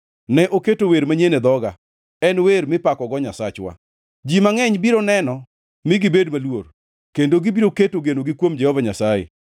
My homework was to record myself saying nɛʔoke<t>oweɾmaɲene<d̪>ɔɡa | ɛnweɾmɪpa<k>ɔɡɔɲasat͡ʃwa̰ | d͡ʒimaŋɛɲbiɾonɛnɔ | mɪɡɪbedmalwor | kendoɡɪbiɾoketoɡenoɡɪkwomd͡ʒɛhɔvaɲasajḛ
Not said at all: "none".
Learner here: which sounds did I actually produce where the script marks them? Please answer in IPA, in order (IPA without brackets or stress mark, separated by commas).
t, d̪, k